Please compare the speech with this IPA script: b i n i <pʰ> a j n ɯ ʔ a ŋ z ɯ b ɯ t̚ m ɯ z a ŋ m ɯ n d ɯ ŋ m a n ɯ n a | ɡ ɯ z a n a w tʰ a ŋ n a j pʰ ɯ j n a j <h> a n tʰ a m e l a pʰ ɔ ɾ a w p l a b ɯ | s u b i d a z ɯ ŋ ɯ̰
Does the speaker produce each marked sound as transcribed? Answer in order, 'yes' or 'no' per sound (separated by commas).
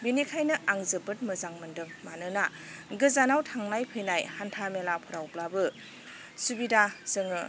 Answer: no, yes